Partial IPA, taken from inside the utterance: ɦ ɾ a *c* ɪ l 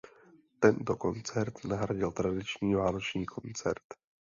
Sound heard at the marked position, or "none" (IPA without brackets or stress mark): ɟ